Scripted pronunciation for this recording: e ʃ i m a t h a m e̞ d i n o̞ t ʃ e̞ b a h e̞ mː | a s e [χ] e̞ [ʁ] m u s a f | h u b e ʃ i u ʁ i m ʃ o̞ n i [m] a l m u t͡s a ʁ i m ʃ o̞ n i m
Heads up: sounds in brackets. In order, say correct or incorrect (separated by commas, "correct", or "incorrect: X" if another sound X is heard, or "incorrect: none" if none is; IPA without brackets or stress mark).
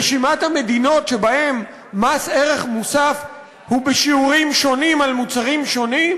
incorrect: ʁ, incorrect: χ, correct